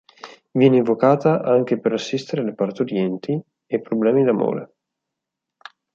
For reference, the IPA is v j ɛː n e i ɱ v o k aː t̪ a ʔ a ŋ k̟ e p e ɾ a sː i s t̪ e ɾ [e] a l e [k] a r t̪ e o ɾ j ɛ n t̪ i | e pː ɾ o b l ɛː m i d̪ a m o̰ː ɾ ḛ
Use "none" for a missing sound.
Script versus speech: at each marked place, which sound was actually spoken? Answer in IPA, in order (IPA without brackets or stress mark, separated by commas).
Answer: e, p